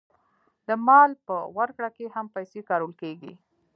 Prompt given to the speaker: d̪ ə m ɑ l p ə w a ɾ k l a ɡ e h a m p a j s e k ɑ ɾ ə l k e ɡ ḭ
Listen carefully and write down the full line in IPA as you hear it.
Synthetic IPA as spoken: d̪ ə m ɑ l p ə w a ɾ k ɽ a k e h a m p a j s e k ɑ ɾ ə l k e ɡ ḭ